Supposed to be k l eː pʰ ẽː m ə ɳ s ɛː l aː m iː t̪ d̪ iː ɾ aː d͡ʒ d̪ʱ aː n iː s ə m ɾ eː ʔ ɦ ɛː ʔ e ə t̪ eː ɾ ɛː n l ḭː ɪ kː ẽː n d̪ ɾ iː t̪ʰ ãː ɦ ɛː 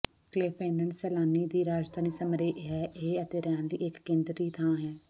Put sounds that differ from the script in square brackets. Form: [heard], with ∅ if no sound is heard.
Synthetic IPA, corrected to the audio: k l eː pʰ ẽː [n] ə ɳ s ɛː l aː [n] iː [∅] d̪ iː ɾ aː d͡ʒ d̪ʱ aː n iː s ə m ɾ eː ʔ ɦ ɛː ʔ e ə t̪ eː ɾ ɛː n l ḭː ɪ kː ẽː n d̪ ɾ iː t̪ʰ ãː ɦ ɛː